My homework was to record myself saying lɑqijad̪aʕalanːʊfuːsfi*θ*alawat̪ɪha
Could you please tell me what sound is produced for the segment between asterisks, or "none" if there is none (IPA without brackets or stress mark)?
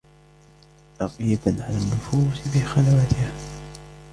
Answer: x